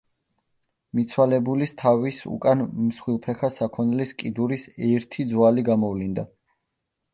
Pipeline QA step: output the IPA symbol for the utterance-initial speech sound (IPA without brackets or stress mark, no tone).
m